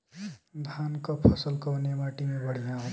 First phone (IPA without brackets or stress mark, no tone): d̪ʱ